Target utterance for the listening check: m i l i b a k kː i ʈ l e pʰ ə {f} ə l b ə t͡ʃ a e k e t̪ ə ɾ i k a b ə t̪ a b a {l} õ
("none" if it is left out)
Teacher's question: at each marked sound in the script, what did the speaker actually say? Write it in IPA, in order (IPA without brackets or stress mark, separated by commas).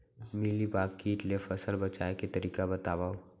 s, none